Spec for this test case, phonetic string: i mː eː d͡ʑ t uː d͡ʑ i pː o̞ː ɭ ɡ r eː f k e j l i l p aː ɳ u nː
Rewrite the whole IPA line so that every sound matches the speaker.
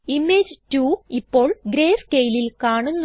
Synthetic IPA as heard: i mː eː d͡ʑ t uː i pː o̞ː ɭ ɡ ɾ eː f k e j l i l k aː ɳ u nː